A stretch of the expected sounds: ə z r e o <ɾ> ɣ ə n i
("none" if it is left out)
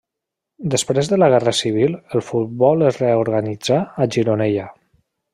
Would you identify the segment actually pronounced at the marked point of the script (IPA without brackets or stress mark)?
ɾ